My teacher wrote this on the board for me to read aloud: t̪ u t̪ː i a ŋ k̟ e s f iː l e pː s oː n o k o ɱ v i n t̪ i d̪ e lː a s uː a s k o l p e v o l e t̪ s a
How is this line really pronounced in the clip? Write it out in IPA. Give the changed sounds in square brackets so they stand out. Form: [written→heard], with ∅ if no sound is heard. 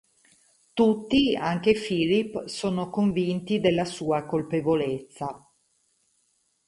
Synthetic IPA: t̪ u t̪ː i a ŋ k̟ e [s→∅] f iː l [e→i] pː s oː n o k o ɱ v i n t̪ i d̪ e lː a s uː a [s→∅] k o l p e v o l e t̪ [s→sː] a